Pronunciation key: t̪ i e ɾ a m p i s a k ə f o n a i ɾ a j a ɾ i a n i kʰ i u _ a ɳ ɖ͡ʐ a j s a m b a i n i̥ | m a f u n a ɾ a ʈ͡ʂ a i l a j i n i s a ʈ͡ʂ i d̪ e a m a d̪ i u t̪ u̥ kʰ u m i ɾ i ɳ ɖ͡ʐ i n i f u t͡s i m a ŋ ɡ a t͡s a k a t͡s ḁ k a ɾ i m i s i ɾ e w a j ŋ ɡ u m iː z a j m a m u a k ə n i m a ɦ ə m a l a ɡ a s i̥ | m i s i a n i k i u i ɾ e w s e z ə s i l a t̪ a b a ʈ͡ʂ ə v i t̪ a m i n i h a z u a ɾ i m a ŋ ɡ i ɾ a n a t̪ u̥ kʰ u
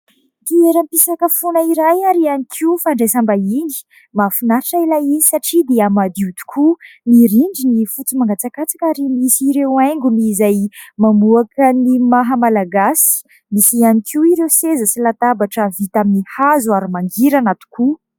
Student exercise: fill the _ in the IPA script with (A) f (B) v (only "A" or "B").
A